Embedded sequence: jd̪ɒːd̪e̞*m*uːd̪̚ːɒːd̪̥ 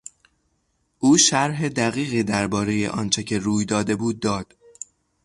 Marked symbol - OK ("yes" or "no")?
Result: no